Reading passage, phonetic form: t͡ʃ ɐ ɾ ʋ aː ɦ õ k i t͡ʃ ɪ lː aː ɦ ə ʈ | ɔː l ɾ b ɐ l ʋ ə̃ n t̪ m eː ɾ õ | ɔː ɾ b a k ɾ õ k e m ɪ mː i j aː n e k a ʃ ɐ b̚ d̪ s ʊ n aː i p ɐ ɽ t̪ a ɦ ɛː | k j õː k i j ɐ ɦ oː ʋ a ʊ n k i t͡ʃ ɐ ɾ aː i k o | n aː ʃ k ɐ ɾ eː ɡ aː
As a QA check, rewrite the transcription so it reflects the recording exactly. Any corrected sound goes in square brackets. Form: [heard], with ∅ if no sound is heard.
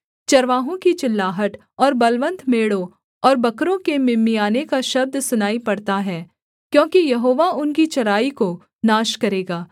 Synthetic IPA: t͡ʃ ɐ ɾ ʋ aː ɦ õ k i t͡ʃ ɪ lː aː ɦ ə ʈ | ɔː [∅] ɾ b ɐ l ʋ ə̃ n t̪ m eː [ɽ] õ | ɔː ɾ b [ɐ] k ɾ õ k e m ɪ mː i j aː n e k a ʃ ɐ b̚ d̪ s ʊ n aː i p ɐ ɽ t̪ a ɦ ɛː | k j õː k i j ɐ ɦ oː ʋ a ʊ n k i t͡ʃ ɐ ɾ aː i k o | n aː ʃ k ɐ ɾ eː ɡ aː